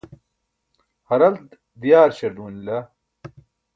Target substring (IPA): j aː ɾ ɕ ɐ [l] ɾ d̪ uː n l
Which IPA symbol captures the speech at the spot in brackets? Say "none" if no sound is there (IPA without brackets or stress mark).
none